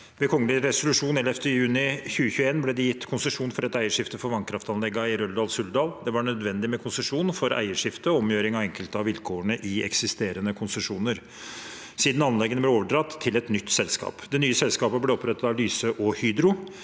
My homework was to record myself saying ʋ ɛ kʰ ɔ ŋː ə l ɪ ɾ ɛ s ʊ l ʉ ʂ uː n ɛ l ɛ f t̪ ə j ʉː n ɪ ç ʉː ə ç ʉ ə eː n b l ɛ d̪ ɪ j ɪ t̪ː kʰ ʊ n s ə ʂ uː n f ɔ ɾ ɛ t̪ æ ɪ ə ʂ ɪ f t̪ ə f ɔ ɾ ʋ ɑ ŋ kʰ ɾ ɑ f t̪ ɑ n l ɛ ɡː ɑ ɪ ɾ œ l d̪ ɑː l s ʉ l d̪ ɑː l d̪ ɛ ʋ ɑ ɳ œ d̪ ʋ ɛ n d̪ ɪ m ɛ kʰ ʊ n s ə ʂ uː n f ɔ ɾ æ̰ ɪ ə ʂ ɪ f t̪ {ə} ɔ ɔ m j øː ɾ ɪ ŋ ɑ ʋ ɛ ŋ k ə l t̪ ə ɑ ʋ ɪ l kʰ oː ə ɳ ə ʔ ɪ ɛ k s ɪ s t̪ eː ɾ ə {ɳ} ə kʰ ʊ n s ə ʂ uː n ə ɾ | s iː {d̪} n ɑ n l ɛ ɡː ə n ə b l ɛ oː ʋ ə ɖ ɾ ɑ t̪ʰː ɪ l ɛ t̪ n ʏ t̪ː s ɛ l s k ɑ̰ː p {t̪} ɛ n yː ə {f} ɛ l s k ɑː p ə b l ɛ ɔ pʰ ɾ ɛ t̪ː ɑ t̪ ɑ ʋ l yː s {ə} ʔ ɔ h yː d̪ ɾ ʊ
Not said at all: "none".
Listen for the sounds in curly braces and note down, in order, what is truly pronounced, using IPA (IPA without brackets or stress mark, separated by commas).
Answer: ə, n, d̪, d̪, s, ə